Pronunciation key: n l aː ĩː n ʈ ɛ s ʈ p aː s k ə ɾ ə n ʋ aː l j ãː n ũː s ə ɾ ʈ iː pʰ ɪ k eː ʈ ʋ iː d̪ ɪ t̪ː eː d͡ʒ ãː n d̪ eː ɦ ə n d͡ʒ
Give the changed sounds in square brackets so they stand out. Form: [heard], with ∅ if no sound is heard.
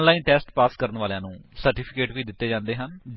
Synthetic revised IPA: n l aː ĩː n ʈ [ɛː] s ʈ p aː s k ə ɾ ə n ʋ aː l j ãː n ũː s ə ɾ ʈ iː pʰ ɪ k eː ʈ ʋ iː d̪ ɪ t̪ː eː d͡ʒ ãː n d̪ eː ɦ ə n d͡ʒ